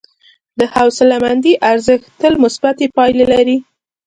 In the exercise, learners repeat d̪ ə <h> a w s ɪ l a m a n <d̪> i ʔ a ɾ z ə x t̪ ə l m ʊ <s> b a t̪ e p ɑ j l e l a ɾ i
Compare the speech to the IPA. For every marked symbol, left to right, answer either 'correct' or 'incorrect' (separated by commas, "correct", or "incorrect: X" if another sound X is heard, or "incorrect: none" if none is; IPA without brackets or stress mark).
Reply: correct, correct, correct